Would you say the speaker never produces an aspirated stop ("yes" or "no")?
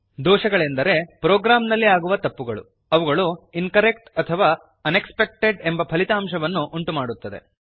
no